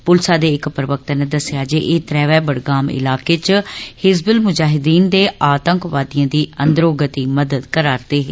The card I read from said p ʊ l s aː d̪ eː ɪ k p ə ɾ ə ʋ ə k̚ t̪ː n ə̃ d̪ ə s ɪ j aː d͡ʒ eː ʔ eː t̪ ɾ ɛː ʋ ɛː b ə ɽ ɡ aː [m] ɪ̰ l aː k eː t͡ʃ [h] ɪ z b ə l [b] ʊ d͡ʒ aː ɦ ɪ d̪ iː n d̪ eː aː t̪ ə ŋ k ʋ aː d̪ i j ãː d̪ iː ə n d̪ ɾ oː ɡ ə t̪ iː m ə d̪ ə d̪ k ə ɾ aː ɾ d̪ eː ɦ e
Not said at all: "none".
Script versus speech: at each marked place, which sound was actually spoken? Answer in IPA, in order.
m, h, m

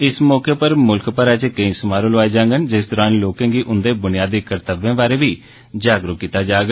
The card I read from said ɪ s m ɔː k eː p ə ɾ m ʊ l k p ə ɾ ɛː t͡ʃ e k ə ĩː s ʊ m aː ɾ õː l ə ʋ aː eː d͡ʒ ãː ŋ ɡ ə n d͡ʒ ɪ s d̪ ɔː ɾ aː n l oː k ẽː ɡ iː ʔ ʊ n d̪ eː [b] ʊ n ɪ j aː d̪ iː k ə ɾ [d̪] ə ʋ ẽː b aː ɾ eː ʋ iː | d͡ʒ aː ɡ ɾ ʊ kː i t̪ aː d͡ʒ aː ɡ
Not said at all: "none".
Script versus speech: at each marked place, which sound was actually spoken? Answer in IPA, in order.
b, t̪

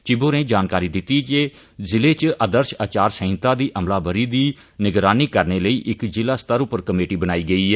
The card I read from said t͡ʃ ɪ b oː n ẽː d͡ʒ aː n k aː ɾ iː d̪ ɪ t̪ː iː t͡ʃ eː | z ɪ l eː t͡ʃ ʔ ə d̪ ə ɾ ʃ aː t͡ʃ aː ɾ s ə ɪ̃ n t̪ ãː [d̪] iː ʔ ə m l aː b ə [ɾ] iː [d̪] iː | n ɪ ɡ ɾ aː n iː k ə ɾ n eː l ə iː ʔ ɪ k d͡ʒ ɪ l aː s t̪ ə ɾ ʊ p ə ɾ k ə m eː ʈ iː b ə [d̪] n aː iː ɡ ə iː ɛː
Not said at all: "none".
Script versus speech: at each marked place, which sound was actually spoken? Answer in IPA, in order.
d̪, ɾ, d̪, none

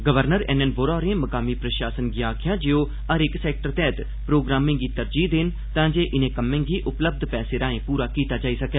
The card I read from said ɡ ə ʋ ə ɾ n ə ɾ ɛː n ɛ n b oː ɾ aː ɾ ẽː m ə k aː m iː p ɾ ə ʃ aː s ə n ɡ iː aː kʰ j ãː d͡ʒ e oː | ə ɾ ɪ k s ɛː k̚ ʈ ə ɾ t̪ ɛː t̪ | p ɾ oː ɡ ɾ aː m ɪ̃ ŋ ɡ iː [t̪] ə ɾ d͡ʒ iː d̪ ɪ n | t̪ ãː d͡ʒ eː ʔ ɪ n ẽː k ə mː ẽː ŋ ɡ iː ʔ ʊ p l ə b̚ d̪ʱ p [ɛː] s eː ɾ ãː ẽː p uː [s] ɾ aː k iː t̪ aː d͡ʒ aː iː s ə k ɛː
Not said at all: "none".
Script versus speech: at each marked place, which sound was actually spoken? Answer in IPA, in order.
t̪, ɛː, none

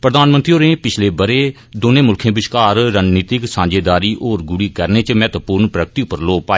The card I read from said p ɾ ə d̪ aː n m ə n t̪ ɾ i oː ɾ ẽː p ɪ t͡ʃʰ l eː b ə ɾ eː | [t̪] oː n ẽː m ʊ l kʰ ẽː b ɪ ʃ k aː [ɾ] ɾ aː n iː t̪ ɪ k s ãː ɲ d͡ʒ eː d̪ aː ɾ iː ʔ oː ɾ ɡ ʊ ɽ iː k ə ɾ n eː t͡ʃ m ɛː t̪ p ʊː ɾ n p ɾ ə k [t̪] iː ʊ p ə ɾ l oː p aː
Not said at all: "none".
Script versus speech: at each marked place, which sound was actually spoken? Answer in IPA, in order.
d̪, ɾ, t̪

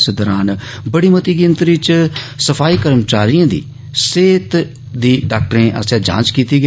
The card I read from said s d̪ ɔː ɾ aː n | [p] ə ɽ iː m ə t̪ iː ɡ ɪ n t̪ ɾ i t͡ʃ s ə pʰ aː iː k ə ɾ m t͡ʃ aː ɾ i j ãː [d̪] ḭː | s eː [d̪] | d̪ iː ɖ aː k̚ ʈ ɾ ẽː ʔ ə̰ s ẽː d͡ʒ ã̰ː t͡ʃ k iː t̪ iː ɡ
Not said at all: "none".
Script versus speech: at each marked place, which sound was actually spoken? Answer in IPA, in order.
b, d̪, t̪

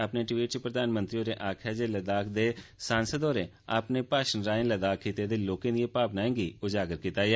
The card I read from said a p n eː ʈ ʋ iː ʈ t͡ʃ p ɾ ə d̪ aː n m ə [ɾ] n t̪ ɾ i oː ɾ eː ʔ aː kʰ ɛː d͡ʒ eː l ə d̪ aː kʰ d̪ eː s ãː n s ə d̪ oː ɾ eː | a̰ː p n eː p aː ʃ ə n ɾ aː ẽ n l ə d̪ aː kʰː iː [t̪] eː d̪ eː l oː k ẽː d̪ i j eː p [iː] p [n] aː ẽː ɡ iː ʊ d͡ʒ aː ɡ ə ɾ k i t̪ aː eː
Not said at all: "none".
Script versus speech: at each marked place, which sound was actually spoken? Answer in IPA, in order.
none, t̪, aː, n

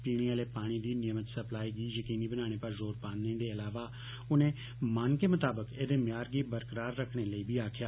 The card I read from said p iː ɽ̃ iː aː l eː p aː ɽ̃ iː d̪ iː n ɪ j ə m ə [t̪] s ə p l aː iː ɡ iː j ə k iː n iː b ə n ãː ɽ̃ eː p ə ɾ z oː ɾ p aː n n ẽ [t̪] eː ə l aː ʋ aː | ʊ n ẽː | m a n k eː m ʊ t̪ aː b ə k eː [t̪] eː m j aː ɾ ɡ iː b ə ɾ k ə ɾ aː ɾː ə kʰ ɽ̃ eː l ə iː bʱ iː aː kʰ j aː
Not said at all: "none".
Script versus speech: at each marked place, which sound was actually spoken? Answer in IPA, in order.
t̪, d̪, d̪

